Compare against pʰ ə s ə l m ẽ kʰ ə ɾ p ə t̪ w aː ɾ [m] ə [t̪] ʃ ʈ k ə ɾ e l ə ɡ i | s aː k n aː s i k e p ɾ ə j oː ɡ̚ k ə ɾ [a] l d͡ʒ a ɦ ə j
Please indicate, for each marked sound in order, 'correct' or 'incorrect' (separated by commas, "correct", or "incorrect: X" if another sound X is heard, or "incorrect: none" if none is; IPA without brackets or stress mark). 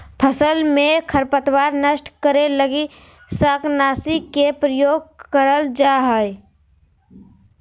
incorrect: n, incorrect: none, incorrect: ə